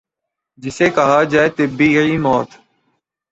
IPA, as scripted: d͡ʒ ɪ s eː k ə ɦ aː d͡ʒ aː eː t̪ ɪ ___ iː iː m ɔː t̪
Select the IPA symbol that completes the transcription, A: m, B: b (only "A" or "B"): B